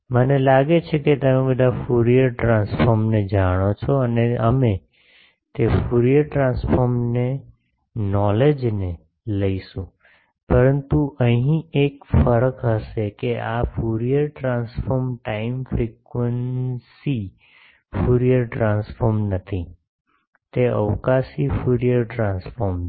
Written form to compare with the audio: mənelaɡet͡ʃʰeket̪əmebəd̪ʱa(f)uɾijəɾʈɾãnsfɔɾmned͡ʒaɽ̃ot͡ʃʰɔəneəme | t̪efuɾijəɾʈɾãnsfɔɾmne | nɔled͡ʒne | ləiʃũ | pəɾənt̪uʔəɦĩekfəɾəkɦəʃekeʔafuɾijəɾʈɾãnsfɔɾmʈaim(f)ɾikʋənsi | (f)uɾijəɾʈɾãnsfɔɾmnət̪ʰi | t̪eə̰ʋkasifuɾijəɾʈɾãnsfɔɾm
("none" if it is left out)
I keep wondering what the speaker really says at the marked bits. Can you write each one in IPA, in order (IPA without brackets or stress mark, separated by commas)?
f, f, f